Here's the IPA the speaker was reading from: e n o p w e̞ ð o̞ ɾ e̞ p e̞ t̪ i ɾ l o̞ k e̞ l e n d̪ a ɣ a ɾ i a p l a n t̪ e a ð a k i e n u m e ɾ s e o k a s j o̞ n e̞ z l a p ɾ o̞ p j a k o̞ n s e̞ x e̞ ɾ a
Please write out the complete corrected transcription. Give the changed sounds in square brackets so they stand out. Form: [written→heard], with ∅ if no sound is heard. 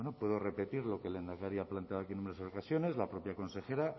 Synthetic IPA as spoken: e n o p w e̞ ð o̞ [ɾ→r] e̞ p e̞ t̪ i ɾ l o̞ k e̞ l e n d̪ a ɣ a ɾ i a p l a n t̪ e a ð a k i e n u m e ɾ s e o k a s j o̞ n e̞ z l a p ɾ o̞ p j a k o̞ n s e̞ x e̞ ɾ a